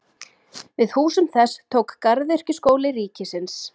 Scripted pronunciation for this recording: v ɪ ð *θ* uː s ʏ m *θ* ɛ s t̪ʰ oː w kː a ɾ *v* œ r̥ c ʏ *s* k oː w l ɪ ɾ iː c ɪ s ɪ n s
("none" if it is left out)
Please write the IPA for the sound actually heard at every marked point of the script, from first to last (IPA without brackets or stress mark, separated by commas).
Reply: h, θ, ð, s